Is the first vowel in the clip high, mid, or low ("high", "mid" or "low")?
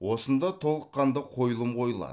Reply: mid